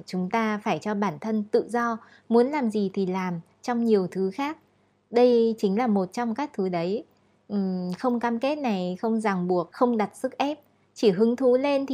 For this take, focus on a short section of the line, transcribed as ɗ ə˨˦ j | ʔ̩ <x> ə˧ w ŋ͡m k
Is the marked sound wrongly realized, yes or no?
no